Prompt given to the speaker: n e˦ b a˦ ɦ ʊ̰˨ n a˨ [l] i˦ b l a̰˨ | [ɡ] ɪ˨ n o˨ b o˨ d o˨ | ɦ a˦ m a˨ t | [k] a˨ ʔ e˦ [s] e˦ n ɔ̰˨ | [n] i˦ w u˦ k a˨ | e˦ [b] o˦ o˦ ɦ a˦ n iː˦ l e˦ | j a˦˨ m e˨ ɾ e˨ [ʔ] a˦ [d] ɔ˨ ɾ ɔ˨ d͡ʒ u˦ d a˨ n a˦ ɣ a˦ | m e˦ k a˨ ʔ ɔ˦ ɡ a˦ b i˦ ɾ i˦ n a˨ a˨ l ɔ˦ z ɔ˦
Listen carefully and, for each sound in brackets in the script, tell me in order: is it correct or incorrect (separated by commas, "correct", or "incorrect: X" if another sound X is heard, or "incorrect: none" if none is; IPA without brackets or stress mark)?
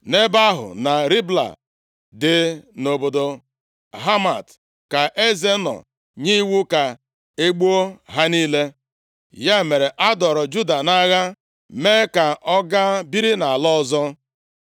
incorrect: ɾ, incorrect: d, correct, incorrect: z, incorrect: ɲ, incorrect: ɡ͡b, correct, correct